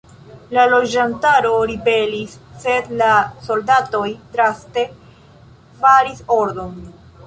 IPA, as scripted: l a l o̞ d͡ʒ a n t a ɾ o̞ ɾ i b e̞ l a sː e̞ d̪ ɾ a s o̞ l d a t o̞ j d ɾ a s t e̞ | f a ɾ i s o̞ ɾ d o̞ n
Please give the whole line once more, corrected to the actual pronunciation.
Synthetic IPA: l a l o̞ d͡ʒ a n t a ɾ o̞ ɾ i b e̞ l i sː e̞ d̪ l a s o̞ l d a t o̞ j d ɾ a s t e̞ | f a ɾ i s o̞ ɾ d o̞ n